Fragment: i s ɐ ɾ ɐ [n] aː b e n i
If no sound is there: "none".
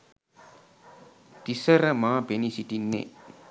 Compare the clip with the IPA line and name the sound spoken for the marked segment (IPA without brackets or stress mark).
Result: m